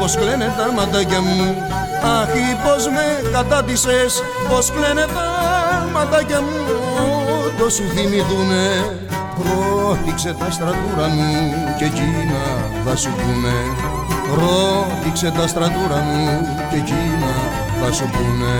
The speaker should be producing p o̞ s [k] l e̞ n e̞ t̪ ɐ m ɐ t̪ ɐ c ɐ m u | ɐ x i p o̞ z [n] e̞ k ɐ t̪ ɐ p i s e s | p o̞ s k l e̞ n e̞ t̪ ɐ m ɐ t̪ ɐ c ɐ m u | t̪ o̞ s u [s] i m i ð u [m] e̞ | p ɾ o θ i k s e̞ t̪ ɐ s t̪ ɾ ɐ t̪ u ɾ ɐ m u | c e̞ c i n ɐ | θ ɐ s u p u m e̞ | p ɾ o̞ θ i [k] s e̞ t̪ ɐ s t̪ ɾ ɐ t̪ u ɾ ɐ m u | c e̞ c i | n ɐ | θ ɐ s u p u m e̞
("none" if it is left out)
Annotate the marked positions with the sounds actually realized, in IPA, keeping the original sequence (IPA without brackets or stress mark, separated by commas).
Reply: k, m, θ, n, k